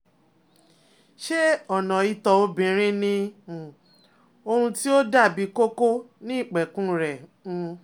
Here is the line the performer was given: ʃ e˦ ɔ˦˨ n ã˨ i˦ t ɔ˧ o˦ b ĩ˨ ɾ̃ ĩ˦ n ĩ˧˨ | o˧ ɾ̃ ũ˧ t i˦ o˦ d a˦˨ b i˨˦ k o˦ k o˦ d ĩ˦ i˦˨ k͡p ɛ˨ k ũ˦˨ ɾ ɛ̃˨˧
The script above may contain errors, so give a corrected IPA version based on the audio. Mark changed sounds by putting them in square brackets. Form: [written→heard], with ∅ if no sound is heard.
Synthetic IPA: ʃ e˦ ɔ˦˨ n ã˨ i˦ t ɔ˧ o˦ b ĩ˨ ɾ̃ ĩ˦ n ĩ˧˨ | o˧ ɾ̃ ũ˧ t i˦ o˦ d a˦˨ b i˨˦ k o˦ k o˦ [d→n] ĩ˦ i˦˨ k͡p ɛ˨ k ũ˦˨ ɾ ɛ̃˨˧

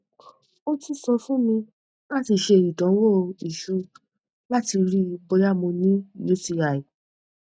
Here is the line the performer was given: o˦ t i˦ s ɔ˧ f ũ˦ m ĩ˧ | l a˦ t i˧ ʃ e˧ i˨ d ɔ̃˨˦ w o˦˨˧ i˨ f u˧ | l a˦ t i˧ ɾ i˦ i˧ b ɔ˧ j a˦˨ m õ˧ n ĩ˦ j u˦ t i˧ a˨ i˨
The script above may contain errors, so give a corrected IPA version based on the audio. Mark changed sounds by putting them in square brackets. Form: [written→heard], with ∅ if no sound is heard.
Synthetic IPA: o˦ t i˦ s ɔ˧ f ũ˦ m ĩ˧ | l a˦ t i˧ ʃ e˧ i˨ d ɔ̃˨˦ w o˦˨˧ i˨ [f→ʃ] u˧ | l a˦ t i˧ ɾ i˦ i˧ b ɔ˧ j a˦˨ m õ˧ n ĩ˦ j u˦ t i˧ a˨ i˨

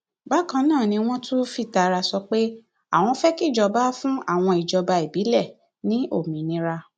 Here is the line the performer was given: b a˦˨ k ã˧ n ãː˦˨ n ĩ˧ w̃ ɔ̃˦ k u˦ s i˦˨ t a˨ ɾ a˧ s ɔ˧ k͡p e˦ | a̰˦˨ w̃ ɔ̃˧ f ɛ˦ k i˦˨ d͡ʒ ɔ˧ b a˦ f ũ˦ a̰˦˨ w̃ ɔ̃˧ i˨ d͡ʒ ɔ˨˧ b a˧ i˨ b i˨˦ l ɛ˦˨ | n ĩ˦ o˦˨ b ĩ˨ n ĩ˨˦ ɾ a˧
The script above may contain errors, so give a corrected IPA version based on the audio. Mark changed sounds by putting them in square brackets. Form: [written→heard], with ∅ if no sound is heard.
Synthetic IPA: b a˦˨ k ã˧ n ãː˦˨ n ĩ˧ w̃ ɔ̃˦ [k→t] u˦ [s→f] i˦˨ t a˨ ɾ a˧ s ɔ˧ k͡p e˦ | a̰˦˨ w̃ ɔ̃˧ f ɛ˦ k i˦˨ d͡ʒ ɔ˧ b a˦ f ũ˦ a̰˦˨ w̃ ɔ̃˧ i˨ d͡ʒ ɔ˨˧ b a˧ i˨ b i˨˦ l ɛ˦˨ | n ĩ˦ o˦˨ [b→m] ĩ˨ n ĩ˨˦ ɾ a˧

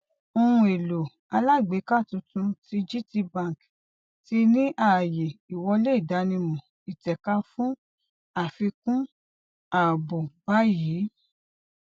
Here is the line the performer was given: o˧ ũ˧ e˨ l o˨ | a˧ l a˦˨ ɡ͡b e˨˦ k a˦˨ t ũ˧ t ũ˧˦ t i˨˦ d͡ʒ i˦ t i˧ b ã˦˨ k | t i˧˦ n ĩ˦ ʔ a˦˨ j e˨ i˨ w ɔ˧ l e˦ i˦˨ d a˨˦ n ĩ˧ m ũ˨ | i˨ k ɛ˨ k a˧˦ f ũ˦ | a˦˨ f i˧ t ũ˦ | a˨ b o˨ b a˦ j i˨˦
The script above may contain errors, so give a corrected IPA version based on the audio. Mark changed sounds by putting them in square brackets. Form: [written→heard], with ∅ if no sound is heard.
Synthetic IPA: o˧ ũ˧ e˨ l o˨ | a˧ l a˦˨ ɡ͡b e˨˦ k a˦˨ t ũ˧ t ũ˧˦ t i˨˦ d͡ʒ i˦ t i˧ b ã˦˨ k | t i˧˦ n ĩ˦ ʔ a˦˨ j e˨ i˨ w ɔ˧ l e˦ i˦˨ d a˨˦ n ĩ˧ m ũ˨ | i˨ [k→t] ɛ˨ k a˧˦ f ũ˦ | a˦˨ f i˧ [t→k] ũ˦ | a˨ b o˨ b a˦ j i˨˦

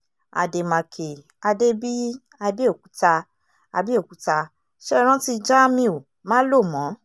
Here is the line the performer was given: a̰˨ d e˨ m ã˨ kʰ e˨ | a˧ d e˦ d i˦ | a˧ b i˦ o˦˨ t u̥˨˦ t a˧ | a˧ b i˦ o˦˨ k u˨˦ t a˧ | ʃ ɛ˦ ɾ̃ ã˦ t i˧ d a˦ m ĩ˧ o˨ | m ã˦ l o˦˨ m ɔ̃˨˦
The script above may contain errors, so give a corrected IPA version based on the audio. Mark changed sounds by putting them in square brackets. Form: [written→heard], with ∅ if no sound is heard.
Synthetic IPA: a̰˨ d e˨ m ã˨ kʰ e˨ | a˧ d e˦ [d→b] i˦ | a˧ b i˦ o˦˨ [t→k] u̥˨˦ t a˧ | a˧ b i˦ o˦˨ k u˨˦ t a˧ | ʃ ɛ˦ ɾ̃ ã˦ t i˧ [d→d͡ʒ] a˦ m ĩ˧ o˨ | m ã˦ l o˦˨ m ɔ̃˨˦

